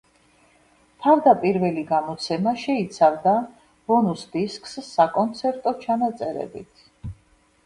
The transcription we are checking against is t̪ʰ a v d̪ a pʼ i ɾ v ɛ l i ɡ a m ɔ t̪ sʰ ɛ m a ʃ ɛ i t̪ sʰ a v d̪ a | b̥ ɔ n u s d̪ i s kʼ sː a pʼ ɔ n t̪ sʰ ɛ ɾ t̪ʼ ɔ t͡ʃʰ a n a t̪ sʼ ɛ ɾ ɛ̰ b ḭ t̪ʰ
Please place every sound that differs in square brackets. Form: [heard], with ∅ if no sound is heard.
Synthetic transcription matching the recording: t̪ʰ a v d̪ a pʼ i ɾ v ɛ l i ɡ a m ɔ t̪ sʰ ɛ m a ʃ ɛ i t̪ sʰ a v d̪ a | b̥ ɔ n u s d̪ i s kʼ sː a [kʼ] ɔ n t̪ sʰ ɛ ɾ t̪ʼ ɔ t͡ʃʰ a n a t̪ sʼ ɛ ɾ ɛ̰ b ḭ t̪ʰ